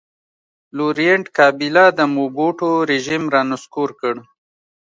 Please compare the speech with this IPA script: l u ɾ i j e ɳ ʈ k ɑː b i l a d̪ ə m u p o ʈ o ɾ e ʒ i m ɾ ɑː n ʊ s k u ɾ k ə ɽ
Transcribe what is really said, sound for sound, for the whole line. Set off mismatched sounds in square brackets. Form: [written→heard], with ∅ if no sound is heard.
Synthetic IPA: l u ɾ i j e ɳ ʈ k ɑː b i l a d̪ ə m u [p→b] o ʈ o ɾ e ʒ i m ɾ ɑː n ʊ s k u ɾ k ə ɽ